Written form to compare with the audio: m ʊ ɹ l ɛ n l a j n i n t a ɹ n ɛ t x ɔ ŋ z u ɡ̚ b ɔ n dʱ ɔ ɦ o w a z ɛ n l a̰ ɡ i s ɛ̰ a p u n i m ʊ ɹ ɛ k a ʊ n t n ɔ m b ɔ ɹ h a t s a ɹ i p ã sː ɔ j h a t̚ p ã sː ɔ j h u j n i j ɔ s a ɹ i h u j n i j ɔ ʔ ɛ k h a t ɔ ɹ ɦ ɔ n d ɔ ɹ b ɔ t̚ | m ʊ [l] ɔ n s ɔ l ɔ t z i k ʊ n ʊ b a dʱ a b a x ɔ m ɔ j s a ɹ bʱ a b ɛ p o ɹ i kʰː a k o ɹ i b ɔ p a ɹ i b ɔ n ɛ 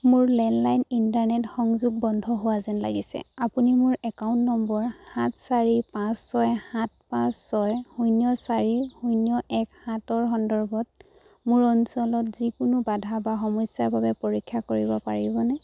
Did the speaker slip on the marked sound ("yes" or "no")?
yes